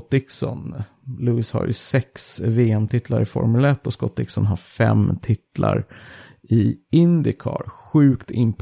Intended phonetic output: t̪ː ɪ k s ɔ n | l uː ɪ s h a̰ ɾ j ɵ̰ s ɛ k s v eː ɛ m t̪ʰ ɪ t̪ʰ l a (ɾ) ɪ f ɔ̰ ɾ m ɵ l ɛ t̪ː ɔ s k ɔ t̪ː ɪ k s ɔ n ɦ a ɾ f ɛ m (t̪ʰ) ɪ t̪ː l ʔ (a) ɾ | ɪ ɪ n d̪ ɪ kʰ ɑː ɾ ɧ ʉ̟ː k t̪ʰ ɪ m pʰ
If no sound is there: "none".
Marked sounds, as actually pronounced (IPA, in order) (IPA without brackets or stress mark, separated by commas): ɾ, t̪ʰ, a